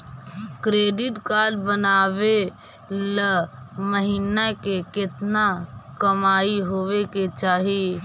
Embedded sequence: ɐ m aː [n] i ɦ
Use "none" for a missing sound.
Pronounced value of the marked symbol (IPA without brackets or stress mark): none